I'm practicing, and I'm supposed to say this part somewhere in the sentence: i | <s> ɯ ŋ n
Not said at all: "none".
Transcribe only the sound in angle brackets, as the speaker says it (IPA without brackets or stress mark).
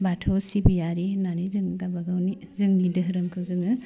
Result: z